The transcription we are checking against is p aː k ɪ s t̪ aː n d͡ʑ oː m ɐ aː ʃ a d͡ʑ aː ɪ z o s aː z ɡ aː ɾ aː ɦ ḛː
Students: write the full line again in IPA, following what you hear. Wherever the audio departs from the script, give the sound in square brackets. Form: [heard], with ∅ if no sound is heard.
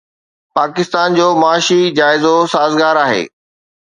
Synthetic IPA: p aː k ɪ s t̪ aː n d͡ʑ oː m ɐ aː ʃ [i] d͡ʑ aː ɪ z o s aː z ɡ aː ɾ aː ɦ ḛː